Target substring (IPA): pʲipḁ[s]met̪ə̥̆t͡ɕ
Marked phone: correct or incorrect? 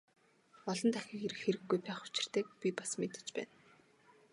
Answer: correct